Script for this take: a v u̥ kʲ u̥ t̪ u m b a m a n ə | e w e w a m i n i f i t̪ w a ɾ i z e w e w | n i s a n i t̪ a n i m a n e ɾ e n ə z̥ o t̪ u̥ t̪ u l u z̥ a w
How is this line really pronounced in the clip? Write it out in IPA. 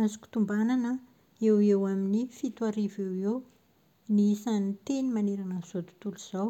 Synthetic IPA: a z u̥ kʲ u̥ t̪ u m b a n a n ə | e w e w a m i n i f i t̪ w a ɾ i v e w e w | n i s a n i t̪ e n i m a n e ɾ a n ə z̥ o t̪ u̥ t̪ u l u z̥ a w

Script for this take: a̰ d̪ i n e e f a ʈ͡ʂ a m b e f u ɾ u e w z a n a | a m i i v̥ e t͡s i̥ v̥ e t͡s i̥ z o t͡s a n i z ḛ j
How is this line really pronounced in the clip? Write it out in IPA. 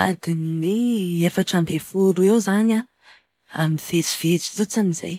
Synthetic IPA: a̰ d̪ i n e e f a ʈ͡ʂ a m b e f u ɾ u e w z a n a | a m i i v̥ e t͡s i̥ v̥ e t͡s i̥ z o t͡s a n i z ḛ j

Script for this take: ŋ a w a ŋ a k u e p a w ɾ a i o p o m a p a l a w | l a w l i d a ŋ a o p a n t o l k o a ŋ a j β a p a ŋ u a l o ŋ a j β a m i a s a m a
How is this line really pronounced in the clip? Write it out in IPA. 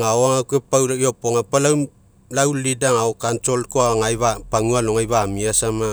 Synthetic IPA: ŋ a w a ŋ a k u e p a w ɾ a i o p o ŋ a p a l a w | l a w l i d a ŋ a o k a n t o l k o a ŋ a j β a p a ŋ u a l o ŋ a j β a m i a s a m a

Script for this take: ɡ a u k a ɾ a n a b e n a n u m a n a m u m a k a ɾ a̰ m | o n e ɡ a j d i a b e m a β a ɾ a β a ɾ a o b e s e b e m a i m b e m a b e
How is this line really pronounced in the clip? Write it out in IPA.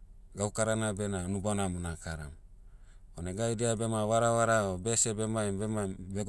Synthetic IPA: ɡ a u k a ɾ a n a b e n a n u b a n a m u n a k a ɾ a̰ m | o n e ɡ a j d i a b e m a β a ɾ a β a ɾ a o b e s e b e m a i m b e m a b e

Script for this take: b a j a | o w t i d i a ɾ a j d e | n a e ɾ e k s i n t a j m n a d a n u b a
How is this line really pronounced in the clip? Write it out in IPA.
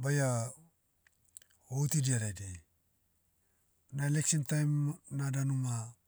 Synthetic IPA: b a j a | o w t i d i a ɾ a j d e | n a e l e k s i n t a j m n a d a n u m a

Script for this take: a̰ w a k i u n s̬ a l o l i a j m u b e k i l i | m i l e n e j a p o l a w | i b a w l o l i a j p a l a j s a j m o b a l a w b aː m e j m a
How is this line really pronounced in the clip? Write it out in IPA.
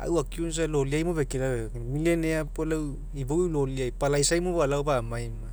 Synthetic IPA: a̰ w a k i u n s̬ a l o l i a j m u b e k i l a | m i l e n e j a p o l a w | i b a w l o l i a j p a l a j s a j m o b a l a w b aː m a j m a

